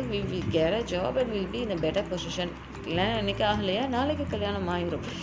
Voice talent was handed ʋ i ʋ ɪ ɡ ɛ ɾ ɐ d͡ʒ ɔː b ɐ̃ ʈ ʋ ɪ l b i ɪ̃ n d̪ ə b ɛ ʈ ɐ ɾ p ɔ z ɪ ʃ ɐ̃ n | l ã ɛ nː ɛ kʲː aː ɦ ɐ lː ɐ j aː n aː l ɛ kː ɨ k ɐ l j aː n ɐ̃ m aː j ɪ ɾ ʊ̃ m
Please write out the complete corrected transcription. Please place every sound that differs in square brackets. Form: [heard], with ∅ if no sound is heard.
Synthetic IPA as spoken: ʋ i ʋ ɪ ɡ ɛ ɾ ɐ d͡ʒ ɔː b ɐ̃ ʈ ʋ ɪ l b i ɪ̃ n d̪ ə b ɛ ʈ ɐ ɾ p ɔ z ɪ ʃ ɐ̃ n | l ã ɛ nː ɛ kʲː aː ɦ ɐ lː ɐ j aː n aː l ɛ kː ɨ k ɐ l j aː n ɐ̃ m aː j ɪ ɾ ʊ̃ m